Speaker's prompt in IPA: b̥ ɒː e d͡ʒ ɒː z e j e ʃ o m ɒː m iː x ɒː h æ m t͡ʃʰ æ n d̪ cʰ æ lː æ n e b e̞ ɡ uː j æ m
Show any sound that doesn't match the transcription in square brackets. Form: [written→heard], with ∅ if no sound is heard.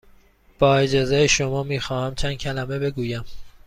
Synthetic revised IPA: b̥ ɒː e d͡ʒ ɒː z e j e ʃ o m ɒː m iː x ɒː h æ m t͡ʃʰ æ n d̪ cʰ æ [lː→l] æ [n→m] e b e̞ ɡ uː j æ m